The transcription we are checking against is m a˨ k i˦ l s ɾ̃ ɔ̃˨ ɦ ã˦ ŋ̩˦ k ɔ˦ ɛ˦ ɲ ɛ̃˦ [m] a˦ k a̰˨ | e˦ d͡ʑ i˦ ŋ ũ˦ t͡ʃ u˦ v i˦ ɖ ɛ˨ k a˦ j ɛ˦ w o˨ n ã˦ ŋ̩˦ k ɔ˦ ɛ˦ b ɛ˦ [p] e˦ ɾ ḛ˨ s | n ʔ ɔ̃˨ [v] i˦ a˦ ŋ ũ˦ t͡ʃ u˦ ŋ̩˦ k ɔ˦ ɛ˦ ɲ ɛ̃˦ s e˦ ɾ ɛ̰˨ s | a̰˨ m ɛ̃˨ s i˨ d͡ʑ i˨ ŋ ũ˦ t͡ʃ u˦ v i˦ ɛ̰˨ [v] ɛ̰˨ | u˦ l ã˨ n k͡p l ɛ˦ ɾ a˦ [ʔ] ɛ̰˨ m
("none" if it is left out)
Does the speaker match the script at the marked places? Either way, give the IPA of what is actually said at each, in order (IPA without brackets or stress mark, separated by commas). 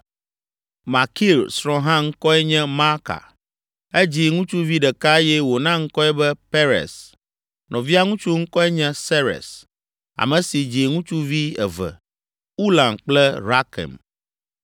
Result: m, p, v, v, k